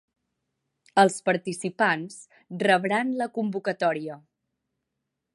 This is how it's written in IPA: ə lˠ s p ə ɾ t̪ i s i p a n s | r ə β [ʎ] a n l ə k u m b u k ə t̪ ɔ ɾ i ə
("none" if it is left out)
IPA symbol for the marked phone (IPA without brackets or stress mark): ɾ